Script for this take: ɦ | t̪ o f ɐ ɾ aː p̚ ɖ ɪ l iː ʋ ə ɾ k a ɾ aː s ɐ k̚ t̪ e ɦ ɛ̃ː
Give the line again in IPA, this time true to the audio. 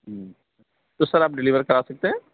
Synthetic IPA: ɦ | t̪ o s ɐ ɾ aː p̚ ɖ ɪ l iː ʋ ə ɾ k ɐ ɾ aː s ɐ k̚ t̪ e ɦ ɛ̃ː